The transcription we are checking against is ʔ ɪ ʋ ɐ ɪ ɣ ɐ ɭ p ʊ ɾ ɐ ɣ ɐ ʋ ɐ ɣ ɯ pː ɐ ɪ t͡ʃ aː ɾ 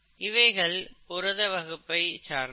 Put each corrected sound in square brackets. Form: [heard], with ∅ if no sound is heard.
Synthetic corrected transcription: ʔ ɪ ʋ ɐ ɪ ɣ ɐ ɭ p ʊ ɾ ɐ [ð] ɐ ʋ ɐ ɣ ɯ pː ɐ ɪ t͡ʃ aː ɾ

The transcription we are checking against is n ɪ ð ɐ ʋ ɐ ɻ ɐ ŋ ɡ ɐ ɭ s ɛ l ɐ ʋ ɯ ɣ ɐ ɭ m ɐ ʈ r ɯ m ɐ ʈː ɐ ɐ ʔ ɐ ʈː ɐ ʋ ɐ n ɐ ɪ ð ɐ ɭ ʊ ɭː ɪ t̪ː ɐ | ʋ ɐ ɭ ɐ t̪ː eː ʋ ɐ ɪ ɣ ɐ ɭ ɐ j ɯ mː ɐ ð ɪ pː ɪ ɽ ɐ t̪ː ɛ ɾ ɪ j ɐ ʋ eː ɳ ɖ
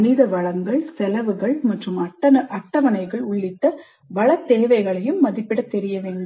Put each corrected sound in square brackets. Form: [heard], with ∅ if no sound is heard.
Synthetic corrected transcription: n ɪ ð ɐ ʋ ɐ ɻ ɐ ŋ ɡ ɐ ɭ s ɛ l ɐ ʋ ɯ ɣ ɐ ɭ m ɐ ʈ r ɯ m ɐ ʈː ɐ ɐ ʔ ɐ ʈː ɐ ʋ ɐ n ɐ ɪ [ɣ] ɐ ɭ ʊ ɭː ɪ t̪ː ɐ | ʋ ɐ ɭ ɐ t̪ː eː ʋ ɐ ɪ ɣ ɐ ɭ ɐ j ɯ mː ɐ ð ɪ pː ɪ ɽ ɐ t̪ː ɛ ɾ ɪ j ɐ ʋ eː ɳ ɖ

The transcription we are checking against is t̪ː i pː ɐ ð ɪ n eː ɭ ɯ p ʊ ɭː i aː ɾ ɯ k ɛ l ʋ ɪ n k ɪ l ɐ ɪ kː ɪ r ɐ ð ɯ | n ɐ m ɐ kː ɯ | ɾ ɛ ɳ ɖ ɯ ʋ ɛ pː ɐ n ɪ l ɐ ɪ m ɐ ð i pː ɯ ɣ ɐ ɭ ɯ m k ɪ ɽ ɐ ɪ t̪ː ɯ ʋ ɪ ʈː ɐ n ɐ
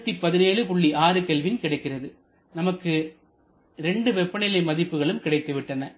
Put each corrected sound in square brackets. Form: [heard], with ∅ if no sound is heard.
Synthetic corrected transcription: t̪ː i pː ɐ ð ɪ n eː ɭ ɯ p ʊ ɭː i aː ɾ ɯ k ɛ l ʋ ɪ n k ɪ [ɽ] ɐ ɪ kː ɪ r ɐ ð ɯ | n ɐ m ɐ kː ɯ | ɾ ɛ ɳ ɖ ɯ ʋ ɛ pː ɐ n ɪ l ɐ ɪ m ɐ ð [ɪ] pː ɯ ɣ ɐ ɭ ɯ m k ɪ ɽ ɐ ɪ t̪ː ɯ ʋ ɪ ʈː ɐ n ɐ

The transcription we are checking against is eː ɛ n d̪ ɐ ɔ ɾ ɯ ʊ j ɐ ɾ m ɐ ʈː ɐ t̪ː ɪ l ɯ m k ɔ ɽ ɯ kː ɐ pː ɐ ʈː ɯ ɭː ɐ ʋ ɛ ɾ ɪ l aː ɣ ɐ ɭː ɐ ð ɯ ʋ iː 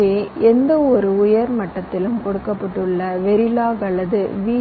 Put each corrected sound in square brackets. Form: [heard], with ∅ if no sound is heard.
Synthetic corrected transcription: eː ɛ n d̪ ɐ ɔ ɾ ɯ ʊ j ɐ ɾ m ɐ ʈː ɐ t̪ː ɪ l ɯ m k ɔ ɽ ɯ kː ɐ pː ɐ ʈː ɯ ɭː ɐ ʋ ɛ ɾ ɪ l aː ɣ ɐ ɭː ɐ ð ɯ ʋ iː

